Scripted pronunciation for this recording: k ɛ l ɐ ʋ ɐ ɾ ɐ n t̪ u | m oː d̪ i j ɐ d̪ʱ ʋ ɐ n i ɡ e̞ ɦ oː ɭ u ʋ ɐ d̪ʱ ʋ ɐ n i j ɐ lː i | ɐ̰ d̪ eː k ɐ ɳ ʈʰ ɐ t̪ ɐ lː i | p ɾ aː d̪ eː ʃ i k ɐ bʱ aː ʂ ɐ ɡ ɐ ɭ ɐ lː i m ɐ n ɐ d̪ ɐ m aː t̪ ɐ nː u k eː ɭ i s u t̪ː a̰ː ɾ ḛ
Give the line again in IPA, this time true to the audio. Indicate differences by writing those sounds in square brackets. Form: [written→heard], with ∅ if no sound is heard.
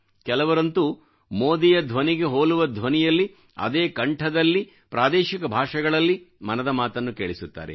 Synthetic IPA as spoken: k ɛ l ɐ ʋ ɐ ɾ ɐ n t̪ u | m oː d̪ i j ɐ d̪ʱ ʋ ɐ n i ɡ e̞ ɦ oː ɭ u ʋ ɐ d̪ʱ ʋ ɐ n i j ɐ lː i | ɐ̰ d̪ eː k ɐ ɳ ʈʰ ɐ [t̪→d̪] ɐ lː i | p ɾ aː d̪ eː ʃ i k ɐ bʱ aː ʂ ɐ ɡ ɐ ɭ ɐ lː i m ɐ n ɐ d̪ ɐ m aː t̪ ɐ nː u k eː ɭ i s u t̪ː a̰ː ɾ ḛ